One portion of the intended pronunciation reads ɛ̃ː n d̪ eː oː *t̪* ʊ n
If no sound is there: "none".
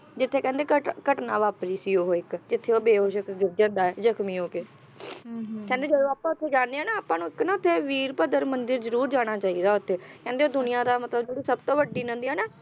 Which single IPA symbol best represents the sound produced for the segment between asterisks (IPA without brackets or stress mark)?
d̪